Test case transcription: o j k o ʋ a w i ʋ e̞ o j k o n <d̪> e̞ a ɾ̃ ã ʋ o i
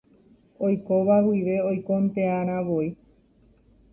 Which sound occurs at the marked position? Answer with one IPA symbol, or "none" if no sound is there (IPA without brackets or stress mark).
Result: t̪